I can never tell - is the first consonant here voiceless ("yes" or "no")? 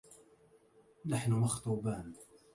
no